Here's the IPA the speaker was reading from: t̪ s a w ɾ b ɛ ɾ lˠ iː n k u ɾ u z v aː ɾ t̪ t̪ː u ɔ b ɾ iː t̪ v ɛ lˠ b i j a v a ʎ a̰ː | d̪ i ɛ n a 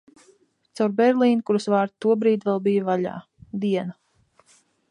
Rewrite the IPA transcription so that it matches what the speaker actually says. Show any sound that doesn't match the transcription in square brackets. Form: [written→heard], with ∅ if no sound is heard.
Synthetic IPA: t̪ s a w ɾ b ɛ ɾ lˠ iː n k u ɾ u [z→s] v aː ɾ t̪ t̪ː u ɔ b ɾ iː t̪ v ɛ lˠ b i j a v a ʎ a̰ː | d̪ i ɛ n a